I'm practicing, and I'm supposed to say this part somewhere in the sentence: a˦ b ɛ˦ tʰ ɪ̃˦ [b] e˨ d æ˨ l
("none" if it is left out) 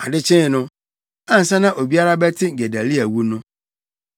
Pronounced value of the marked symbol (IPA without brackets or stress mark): ɡ